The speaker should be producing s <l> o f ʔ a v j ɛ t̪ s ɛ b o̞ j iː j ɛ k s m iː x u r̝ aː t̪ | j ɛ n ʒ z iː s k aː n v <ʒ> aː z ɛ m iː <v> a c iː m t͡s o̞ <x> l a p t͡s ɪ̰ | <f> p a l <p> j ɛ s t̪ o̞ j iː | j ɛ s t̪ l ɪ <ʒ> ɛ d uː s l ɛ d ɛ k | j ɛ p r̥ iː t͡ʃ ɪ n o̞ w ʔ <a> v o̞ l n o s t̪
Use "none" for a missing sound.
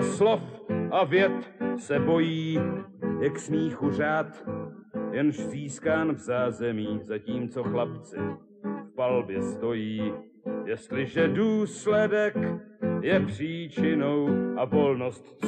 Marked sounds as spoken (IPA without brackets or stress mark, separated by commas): l, z, z, x, f, b, ʒ, a